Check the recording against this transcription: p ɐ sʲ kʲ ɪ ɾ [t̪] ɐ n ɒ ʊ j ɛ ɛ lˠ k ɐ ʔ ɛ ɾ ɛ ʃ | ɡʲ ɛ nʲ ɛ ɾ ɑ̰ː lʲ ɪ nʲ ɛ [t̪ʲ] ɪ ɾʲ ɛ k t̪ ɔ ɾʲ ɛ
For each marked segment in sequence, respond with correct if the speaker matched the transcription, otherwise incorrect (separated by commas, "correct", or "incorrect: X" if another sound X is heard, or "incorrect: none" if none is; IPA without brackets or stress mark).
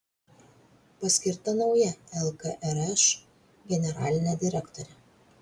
correct, incorrect: d̪ʲ